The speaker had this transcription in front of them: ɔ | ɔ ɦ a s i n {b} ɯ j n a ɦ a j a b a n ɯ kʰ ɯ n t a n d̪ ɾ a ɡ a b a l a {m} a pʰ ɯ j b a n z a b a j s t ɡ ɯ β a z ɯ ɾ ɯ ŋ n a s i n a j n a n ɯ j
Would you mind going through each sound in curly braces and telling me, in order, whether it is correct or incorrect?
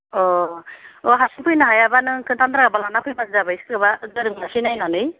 incorrect: p, incorrect: n

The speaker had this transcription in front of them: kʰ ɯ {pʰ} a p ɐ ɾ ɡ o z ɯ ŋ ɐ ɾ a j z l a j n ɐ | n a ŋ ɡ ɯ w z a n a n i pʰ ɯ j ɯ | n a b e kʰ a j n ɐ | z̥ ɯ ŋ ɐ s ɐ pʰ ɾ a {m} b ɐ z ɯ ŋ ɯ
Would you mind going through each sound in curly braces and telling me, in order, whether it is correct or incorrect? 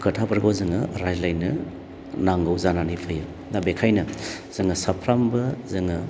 incorrect: tʰ, correct

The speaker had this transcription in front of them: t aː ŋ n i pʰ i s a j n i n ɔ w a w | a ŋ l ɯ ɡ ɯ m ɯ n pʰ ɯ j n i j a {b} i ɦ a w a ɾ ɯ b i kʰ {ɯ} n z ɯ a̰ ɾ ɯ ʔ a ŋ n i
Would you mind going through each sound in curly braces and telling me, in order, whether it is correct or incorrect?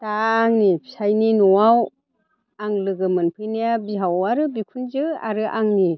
correct, incorrect: u

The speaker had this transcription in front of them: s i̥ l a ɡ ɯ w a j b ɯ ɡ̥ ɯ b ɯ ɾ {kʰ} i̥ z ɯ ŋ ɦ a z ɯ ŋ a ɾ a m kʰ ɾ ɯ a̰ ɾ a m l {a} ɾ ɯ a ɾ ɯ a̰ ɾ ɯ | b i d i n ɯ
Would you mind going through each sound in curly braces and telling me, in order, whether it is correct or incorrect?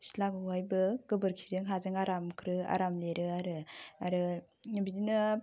correct, incorrect: e

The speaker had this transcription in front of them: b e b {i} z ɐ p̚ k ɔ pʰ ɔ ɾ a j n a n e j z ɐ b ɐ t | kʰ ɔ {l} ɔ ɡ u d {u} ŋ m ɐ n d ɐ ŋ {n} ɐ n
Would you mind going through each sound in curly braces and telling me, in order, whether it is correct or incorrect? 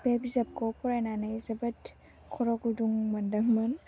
correct, incorrect: ɾ, correct, incorrect: m

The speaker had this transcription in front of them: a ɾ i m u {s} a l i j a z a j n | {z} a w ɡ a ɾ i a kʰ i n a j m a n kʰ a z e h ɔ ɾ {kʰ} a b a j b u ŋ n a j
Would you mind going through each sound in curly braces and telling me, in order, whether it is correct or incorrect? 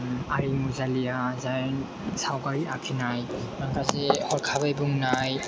incorrect: z, incorrect: s, correct

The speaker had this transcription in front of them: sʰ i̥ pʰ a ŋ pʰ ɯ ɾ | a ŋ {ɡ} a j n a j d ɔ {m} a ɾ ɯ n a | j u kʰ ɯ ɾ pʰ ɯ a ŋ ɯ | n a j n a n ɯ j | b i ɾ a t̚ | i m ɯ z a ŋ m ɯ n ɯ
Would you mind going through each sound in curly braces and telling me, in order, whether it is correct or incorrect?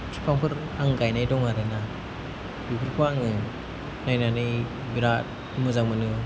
correct, incorrect: ŋ

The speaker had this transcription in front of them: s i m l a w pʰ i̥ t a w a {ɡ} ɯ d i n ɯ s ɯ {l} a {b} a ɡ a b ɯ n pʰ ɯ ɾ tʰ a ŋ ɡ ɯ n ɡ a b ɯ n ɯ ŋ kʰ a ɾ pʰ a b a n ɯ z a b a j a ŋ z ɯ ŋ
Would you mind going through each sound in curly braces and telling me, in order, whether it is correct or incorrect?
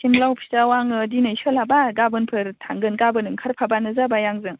incorrect: ŋ, correct, correct

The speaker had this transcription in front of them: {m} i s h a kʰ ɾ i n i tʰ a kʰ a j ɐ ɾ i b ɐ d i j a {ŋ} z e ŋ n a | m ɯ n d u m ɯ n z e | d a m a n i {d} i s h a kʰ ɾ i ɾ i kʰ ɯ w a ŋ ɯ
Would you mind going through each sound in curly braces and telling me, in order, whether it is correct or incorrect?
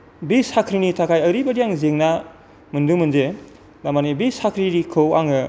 incorrect: b, correct, incorrect: b

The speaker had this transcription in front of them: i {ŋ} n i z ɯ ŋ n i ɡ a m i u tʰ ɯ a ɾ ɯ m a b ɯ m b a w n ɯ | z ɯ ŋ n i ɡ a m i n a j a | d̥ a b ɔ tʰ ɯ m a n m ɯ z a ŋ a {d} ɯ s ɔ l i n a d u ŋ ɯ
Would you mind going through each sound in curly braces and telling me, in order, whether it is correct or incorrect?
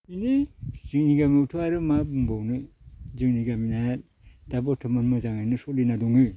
incorrect: none, incorrect: n

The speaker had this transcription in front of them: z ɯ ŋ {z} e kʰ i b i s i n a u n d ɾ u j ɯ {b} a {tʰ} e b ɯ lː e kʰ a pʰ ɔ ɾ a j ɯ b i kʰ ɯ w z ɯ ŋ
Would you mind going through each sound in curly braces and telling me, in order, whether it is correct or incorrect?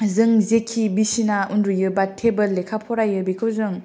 correct, correct, correct

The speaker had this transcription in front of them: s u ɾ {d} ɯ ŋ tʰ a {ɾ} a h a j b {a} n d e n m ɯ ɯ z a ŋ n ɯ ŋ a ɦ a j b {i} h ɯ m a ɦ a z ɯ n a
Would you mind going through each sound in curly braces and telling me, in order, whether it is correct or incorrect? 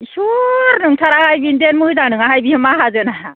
incorrect: n, correct, incorrect: i, correct

